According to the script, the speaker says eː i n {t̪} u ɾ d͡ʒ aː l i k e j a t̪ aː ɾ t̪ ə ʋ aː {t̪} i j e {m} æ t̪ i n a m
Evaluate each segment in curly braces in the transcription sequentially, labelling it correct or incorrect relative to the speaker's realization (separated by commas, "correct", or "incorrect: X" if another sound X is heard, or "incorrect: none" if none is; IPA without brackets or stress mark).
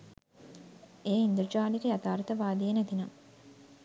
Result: incorrect: d̪, incorrect: d̪, incorrect: n